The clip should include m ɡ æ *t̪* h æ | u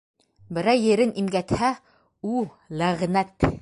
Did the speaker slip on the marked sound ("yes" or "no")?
no